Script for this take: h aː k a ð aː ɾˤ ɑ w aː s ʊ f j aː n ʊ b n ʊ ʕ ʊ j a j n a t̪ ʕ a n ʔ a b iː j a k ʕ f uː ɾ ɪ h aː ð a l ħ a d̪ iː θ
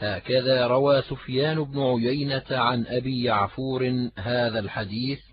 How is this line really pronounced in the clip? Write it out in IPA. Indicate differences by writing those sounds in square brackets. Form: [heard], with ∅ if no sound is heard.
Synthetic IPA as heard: h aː k a ð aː ɾˤ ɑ w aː s ʊ f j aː n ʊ b n ʊ ʕ ʊ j a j n a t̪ ʕ a n ʔ a b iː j a [∅] ʕ f uː ɾ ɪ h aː ð a l ħ a d̪ iː θ